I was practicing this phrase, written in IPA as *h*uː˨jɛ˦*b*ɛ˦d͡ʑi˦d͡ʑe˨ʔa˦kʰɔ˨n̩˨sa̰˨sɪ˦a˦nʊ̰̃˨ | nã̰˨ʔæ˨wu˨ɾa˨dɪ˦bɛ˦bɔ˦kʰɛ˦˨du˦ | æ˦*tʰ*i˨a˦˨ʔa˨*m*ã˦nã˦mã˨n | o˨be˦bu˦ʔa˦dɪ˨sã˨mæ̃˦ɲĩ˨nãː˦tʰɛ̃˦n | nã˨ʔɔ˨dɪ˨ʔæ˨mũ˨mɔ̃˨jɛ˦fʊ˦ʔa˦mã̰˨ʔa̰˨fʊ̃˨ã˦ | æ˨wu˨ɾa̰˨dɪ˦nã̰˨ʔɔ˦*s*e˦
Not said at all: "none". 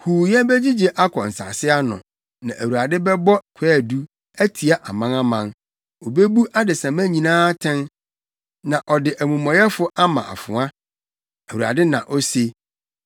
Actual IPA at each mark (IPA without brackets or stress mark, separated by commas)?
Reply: h, b, tʰ, m, s